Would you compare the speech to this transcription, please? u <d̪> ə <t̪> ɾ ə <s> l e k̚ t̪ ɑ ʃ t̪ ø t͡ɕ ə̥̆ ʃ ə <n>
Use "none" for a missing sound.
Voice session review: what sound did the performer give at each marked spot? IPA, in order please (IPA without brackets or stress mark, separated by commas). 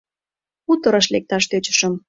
t̪, none, ʃ, m